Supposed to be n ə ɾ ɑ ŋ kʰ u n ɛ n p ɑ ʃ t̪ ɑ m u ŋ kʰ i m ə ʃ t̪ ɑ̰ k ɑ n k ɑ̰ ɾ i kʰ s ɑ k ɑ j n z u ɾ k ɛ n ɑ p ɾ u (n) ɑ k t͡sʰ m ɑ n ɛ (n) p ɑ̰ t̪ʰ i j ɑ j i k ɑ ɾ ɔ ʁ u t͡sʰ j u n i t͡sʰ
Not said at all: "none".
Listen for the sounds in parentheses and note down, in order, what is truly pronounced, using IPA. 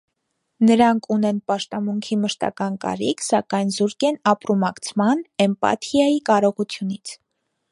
m, m

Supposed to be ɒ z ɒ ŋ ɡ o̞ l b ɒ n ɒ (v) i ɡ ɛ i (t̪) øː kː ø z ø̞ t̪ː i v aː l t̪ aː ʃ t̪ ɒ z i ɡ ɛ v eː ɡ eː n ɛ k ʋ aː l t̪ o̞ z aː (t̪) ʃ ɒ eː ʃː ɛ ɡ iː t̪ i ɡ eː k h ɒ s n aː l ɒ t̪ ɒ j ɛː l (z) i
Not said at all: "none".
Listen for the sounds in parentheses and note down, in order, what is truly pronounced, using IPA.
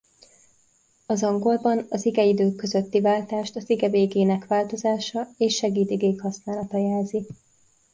z, d̪, none, z

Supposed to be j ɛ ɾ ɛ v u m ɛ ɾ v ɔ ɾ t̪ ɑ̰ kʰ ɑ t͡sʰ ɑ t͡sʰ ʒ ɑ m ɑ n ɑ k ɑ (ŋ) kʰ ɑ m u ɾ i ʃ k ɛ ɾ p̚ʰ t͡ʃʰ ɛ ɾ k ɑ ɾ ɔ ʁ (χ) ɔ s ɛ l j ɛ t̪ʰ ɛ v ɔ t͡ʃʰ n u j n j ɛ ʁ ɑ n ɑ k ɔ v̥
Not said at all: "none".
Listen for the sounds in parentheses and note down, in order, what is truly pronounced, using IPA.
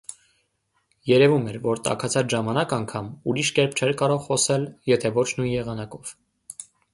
ŋ, χ

